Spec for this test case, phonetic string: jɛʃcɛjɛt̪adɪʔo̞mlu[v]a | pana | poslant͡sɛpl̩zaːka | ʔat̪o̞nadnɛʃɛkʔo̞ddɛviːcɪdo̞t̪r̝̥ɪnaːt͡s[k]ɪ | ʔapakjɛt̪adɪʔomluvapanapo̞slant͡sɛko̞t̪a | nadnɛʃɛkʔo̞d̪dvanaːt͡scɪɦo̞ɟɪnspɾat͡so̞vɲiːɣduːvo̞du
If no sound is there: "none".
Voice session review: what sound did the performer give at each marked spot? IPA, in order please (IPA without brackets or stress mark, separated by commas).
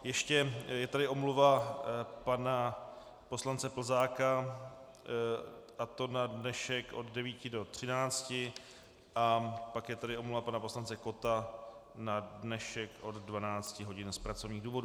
v, c